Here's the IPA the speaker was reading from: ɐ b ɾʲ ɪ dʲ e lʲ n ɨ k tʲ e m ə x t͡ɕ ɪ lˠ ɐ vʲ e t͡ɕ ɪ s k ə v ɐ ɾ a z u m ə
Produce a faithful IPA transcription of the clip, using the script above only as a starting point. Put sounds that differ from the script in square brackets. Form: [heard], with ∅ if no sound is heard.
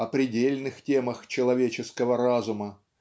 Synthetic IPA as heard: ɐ [p] ɾʲ ɪ dʲ e lʲ n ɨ [x] tʲ e m ə x t͡ɕ ɪ lˠ ɐ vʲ e t͡ɕ ɪ s k ə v [ə] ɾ a z [ʊ] m ə